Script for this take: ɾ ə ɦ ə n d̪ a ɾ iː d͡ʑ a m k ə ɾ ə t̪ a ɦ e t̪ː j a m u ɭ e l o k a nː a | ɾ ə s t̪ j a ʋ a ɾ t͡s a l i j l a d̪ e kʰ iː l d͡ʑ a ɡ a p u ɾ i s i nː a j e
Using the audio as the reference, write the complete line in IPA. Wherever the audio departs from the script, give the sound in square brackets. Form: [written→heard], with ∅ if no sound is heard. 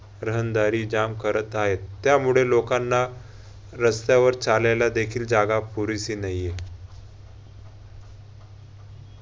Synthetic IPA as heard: ɾ ə ɦ ə n d̪ a ɾ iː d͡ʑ a m k ə ɾ ə t̪ a ɦ e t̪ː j a m u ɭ e l o k a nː a | ɾ ə s t̪ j a ʋ [a→ə] ɾ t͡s a l [i→a] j l a d̪ e kʰ iː l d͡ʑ a ɡ a p u ɾ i s i [nː→n] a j e